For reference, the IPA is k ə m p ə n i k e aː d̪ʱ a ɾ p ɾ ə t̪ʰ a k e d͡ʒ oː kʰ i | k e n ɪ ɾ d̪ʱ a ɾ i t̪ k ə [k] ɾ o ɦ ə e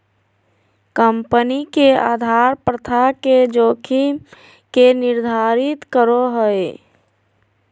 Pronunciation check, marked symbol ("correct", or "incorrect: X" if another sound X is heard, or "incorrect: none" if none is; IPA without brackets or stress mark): incorrect: none